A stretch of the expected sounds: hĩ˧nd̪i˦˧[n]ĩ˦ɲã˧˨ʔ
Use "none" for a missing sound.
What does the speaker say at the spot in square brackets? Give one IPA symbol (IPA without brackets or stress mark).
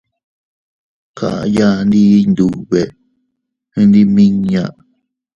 m